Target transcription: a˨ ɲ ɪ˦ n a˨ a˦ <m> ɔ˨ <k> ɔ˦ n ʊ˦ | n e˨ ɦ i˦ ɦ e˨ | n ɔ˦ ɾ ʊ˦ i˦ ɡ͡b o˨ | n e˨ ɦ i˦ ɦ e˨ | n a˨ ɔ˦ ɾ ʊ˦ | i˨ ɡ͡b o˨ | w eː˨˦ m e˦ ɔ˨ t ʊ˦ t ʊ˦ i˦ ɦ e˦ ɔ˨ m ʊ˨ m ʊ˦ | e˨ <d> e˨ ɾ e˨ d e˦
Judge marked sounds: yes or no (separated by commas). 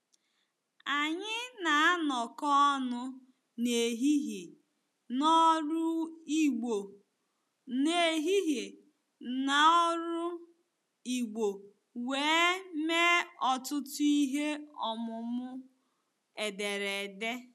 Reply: no, yes, yes